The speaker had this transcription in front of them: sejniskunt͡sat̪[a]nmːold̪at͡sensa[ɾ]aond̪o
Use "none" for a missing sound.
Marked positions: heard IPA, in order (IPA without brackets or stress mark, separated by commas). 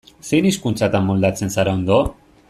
a, ɾ